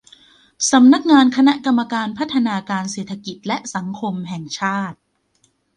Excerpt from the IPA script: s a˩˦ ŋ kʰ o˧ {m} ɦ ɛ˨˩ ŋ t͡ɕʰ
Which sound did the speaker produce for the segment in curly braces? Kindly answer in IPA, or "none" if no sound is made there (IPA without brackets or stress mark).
m